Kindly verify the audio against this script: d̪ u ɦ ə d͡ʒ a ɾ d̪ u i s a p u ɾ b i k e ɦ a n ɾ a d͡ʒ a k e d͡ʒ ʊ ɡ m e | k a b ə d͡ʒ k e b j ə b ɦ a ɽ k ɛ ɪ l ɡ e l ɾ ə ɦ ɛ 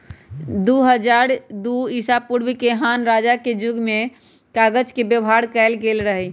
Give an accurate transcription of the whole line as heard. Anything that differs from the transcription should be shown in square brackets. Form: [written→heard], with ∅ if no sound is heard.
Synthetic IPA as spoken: d̪ u ɦ ə d͡ʒ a ɾ d̪ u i s a p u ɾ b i k e ɦ a n ɾ a d͡ʒ a k e d͡ʒ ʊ ɡ m e | k a [b→ɡ] ə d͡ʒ k e b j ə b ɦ a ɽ k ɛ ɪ l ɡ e l ɾ ə ɦ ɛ